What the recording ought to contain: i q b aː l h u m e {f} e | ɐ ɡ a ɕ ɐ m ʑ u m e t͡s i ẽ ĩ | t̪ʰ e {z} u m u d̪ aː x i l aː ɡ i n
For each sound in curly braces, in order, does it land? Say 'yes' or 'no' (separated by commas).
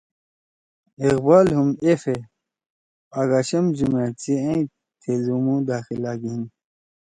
yes, yes